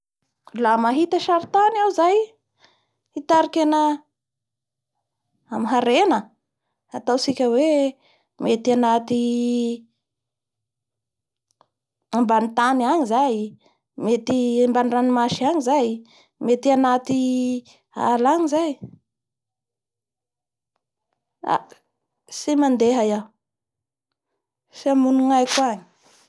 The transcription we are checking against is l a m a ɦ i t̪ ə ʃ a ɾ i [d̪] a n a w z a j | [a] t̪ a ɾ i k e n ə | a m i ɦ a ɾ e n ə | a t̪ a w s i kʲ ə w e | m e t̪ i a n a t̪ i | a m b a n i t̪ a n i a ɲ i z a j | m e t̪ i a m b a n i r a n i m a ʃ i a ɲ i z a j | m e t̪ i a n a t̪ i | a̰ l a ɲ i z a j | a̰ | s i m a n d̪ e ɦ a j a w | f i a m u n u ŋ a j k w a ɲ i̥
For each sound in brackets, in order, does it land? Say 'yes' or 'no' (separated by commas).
no, no